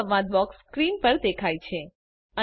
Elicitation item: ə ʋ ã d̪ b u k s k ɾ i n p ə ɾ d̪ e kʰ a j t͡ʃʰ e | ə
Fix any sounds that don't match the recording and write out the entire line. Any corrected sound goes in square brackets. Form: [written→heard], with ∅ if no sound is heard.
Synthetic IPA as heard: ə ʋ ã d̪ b [u→ɔ] k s k ɾ i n p ə ɾ d̪ e kʰ a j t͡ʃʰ e | ə

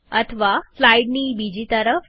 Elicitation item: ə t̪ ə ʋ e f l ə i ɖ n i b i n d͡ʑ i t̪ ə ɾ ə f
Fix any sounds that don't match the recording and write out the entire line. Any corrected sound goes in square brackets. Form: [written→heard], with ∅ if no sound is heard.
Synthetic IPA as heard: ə [t̪→t̪ʰ] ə ʋ [e→a] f l [ə→a] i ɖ n i b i [n→∅] d͡ʑ i t̪ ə ɾ ə f

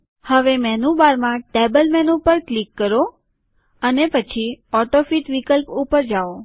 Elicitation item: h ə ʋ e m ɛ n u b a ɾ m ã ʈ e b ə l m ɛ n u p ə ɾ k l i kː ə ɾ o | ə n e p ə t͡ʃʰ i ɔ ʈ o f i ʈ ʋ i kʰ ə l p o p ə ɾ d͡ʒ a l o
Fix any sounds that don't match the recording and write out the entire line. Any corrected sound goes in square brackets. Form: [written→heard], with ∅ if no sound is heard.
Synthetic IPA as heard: h ə ʋ e m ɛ n u b a ɾ m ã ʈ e b ə l m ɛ n u p ə ɾ k l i kː ə ɾ o | ə n e p ə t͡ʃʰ i ɔ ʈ o f i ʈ ʋ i [kʰ→k] ə l p [o→u] p ə ɾ d͡ʒ a [l→∅] o

